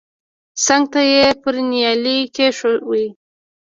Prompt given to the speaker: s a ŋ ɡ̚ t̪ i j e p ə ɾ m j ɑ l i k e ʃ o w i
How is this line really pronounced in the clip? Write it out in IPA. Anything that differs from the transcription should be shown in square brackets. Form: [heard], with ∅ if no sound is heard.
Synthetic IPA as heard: s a ŋ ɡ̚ t̪ [a] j e p ə ɾ [n] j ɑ l i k e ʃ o w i